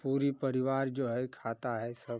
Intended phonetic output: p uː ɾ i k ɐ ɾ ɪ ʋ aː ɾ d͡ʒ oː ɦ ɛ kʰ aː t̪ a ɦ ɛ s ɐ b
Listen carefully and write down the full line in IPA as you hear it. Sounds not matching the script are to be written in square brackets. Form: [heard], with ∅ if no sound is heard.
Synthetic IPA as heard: p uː ɾ i [p] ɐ ɾ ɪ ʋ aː ɾ d͡ʒ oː ɦ ɛ kʰ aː t̪ a ɦ ɛ s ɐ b